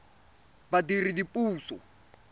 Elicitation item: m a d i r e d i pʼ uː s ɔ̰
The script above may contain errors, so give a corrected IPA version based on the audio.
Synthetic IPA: b a d i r i d i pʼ uː s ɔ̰